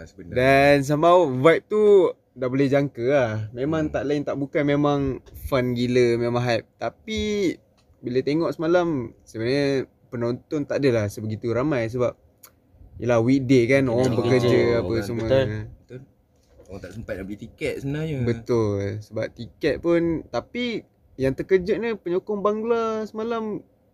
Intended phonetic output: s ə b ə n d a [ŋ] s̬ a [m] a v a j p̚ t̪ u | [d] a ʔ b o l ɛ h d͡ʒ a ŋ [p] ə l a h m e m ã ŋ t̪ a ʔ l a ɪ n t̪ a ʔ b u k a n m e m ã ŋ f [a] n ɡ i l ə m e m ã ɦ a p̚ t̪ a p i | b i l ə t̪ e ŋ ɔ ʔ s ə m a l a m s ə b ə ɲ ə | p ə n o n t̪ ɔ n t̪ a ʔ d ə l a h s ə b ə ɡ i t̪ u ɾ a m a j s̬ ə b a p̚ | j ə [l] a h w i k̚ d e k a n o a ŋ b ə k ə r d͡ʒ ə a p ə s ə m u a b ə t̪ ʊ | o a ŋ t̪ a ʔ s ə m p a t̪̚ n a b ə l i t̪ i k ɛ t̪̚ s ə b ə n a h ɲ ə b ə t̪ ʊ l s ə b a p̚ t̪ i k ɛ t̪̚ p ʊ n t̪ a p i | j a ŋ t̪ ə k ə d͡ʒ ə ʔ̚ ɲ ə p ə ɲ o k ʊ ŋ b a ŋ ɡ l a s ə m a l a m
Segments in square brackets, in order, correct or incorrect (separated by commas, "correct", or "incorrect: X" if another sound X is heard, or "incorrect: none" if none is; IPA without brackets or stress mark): incorrect: n, correct, correct, incorrect: k, correct, correct